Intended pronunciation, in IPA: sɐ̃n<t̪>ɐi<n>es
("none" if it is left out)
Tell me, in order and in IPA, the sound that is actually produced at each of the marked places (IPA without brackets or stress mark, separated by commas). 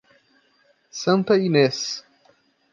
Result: t̪, n